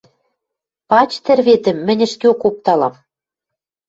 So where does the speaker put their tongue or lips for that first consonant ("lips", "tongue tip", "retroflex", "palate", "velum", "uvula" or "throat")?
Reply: lips